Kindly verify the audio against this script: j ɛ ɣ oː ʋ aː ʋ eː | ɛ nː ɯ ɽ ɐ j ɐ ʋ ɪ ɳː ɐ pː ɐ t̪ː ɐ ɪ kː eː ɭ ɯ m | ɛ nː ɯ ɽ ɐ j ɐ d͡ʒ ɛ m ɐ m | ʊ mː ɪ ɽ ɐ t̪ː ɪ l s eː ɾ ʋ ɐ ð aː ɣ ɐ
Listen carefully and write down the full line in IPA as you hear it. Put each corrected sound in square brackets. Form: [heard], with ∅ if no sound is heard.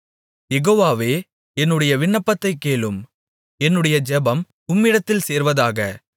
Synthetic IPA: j ɛ ɣ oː ʋ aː ʋ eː | ɛ nː ɯ ɽ ɐ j ɐ ʋ ɪ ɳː ɐ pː ɐ t̪ː ɐ ɪ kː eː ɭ ɯ m | ɛ nː ɯ ɽ ɐ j ɐ d͡ʒ ɛ [b] ɐ m | ʊ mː ɪ ɽ ɐ t̪ː ɪ l s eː ɾ ʋ ɐ ð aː ɣ ɐ

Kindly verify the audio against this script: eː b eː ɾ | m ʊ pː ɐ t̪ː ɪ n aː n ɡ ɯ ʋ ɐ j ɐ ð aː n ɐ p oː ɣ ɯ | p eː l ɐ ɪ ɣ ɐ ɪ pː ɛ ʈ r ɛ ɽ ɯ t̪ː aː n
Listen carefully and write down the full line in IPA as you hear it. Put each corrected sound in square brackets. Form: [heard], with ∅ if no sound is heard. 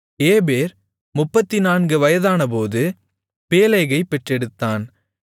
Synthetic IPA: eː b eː ɾ | m ʊ pː ɐ t̪ː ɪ n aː n ɡ ɯ ʋ ɐ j ɐ ð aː n ɐ p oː [ð] ɯ | p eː l ɐ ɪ ɣ ɐ ɪ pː ɛ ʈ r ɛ ɽ ɯ t̪ː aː n

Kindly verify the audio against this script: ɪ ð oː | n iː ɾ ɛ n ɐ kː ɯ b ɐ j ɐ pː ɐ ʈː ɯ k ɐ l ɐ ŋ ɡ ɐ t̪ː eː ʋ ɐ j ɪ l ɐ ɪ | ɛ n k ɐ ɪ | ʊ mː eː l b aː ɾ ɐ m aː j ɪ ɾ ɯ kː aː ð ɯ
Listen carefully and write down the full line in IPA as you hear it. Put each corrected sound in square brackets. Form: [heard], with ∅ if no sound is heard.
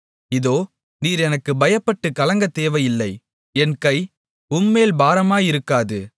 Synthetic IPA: ɪ ð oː | n iː ɾ ɛ n ɐ kː ɯ b ɐ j ɐ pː ɐ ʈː ɯ k ɐ l ɐ ŋ ɡ ɐ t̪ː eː ʋ ɐ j ɪ [lː] ɐ ɪ | ɛ n k ɐ ɪ | ʊ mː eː l b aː ɾ ɐ m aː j ɪ ɾ ɯ kː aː ð ɯ

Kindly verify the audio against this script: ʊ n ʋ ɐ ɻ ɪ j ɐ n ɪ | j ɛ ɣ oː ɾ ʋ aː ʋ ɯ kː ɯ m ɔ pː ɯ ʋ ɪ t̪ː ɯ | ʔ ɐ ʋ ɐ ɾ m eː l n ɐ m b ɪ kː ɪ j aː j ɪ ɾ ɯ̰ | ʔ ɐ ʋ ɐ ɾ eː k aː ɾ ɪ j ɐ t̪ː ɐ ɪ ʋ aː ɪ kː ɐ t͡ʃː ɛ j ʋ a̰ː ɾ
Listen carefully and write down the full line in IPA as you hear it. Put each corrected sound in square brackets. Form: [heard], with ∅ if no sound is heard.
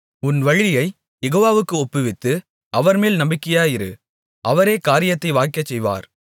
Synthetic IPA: ʊ n ʋ ɐ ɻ ɪ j ɐ [∅] ɪ | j ɛ ɣ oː [∅] ʋ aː ʋ ɯ kː ɯ [∅] ɔ pː ɯ ʋ ɪ t̪ː ɯ | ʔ ɐ ʋ ɐ ɾ m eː l n ɐ m b ɪ kː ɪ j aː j ɪ ɾ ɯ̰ | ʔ ɐ ʋ ɐ ɾ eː k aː ɾ ɪ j ɐ t̪ː ɐ ɪ ʋ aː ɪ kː ɐ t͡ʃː ɛ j ʋ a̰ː ɾ

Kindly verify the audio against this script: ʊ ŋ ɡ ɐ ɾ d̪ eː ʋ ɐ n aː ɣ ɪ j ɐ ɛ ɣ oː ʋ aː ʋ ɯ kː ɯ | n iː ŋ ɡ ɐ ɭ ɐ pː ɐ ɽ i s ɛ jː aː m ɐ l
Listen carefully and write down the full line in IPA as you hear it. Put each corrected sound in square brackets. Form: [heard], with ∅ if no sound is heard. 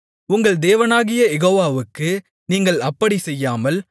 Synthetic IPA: ʊ ŋ ɡ ɐ [ɭ] d̪ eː ʋ ɐ n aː ɣ ɪ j ɐ ɛ ɣ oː ʋ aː ʋ ɯ kː ɯ | n iː ŋ ɡ ɐ ɭ ɐ pː ɐ ɽ i s ɛ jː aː m ɐ l

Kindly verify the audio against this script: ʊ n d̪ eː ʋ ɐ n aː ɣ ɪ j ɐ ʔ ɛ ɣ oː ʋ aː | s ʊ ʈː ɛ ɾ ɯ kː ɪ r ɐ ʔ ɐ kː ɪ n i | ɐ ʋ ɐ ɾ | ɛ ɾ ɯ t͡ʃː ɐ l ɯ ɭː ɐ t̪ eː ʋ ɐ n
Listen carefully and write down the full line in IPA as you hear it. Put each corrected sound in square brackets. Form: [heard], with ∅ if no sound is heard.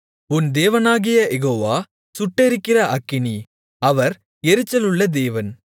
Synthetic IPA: ʊ n d̪ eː ʋ ɐ n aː ɣ ɪ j ɐ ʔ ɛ ɣ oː ʋ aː | s ʊ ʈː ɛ ɾ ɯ kː ɪ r ɐ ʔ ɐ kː ɪ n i | ɐ ʋ ɐ ɾ | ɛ ɾ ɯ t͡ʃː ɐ l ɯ ɭː ɐ [d̪] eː ʋ ɐ n

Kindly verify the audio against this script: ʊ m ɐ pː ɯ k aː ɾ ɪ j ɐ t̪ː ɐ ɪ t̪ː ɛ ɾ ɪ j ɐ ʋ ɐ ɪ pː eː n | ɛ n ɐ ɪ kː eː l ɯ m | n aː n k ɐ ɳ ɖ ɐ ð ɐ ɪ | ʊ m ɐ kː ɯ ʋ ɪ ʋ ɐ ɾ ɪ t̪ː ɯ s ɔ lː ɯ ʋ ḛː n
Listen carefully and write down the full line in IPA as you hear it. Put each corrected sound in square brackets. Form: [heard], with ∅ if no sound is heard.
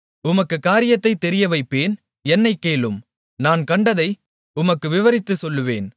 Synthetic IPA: ʊ m ɐ [kː] ɯ k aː ɾ ɪ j ɐ t̪ː ɐ ɪ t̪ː ɛ ɾ ɪ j ɐ ʋ ɐ ɪ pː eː n | ɛ [nː] ɐ ɪ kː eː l ɯ m | n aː n k ɐ ɳ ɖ ɐ ð ɐ ɪ | ʊ m ɐ kː ɯ ʋ ɪ ʋ ɐ ɾ ɪ t̪ː ɯ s ɔ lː ɯ ʋ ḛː n

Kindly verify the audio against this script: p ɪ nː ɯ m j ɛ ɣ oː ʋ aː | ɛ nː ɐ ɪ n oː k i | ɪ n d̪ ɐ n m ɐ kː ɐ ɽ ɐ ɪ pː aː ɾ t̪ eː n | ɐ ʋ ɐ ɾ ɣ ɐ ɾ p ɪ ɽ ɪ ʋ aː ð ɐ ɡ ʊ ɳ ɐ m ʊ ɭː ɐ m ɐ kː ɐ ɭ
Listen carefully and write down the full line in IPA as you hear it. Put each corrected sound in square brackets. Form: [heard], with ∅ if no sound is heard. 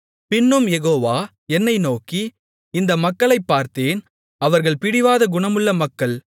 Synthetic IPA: p ɪ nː ɯ m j ɛ ɣ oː ʋ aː | ɛ nː ɐ ɪ n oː k i | ɪ n d̪ ɐ [∅] m ɐ kː ɐ [ɭ] ɐ ɪ pː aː ɾ t̪ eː n | ɐ ʋ ɐ ɾ ɣ ɐ [ɭ] p ɪ ɽ ɪ ʋ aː ð ɐ ɡ ʊ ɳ ɐ m [ɯ] ɭː ɐ m ɐ kː ɐ ɭ

